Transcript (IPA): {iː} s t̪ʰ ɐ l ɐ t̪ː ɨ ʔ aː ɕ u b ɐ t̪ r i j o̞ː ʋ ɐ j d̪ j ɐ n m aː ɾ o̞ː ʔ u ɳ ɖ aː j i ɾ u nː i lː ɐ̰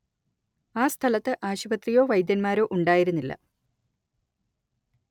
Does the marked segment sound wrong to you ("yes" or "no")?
yes